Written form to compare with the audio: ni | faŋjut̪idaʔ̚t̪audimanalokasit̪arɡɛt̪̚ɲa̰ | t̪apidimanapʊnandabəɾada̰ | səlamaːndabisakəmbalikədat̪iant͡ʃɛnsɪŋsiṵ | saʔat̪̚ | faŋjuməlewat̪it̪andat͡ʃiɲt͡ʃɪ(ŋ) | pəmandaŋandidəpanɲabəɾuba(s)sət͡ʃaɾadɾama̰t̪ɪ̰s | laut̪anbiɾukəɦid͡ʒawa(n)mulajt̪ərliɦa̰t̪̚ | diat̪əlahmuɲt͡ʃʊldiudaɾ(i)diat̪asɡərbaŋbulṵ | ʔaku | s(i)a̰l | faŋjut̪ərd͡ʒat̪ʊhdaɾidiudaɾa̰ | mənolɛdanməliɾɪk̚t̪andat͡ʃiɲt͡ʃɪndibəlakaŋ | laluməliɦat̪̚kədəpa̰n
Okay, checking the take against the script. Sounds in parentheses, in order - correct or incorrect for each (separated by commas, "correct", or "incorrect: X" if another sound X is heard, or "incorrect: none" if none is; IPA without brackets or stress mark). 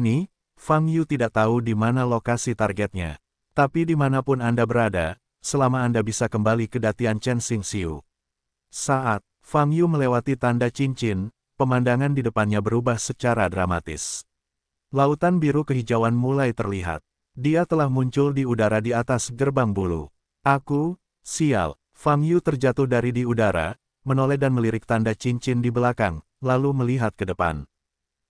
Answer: incorrect: n, incorrect: h, correct, incorrect: a, correct